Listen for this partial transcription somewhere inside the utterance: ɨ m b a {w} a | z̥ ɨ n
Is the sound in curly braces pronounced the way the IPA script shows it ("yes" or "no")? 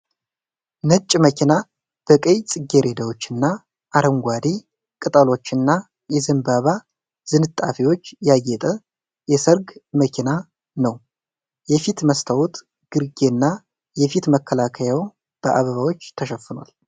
no